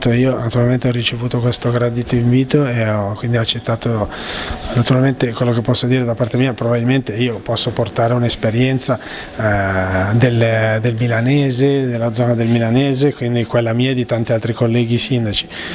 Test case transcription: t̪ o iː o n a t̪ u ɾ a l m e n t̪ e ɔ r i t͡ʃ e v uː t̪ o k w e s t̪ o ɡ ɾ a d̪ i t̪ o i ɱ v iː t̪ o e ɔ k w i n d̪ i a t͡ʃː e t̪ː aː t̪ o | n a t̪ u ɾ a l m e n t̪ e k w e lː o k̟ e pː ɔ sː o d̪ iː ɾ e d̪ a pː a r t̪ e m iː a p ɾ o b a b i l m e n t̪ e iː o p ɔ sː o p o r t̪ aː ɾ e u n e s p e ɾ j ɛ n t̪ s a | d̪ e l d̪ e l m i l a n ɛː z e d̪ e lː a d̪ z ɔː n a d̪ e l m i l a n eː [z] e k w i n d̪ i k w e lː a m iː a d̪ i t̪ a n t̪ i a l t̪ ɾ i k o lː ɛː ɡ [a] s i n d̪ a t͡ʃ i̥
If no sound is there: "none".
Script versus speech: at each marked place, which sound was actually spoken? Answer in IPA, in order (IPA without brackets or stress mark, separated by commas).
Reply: z, i